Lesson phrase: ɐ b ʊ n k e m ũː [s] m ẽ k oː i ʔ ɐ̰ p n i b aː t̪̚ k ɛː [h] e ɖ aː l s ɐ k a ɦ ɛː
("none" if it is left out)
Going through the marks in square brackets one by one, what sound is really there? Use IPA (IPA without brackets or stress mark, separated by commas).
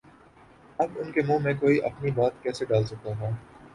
none, s